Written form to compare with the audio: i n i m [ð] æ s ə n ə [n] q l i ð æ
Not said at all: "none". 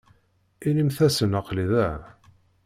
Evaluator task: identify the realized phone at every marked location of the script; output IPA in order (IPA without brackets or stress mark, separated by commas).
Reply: θ, none